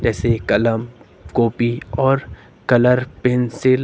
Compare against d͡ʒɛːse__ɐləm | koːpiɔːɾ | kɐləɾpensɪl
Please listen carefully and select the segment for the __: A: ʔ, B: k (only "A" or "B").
B